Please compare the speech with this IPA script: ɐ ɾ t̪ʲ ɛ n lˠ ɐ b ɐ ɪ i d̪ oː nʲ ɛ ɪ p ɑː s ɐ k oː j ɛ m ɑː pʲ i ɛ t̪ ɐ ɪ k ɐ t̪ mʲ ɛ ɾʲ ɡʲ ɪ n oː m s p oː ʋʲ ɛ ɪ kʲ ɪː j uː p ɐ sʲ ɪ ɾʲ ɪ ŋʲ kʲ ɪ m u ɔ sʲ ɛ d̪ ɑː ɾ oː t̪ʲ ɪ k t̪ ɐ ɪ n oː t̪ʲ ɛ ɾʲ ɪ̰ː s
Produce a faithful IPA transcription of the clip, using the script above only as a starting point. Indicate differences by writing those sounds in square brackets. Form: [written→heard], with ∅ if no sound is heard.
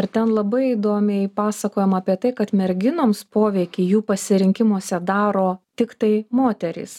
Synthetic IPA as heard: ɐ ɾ t̪ʲ ɛ n lˠ ɐ b ɐ ɪ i d̪ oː [nʲ→mʲ] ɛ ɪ p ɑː s ɐ k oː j ɛ m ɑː pʲ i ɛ t̪ ɐ ɪ k ɐ t̪ mʲ ɛ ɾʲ ɡʲ ɪ n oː m s p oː ʋʲ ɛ ɪ kʲ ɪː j uː p ɐ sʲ ɪ ɾʲ ɪ ŋʲ kʲ ɪ m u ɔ sʲ ɛ d̪ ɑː ɾ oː t̪ʲ ɪ k t̪ ɐ ɪ [n→m] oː t̪ʲ ɛ ɾʲ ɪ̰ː s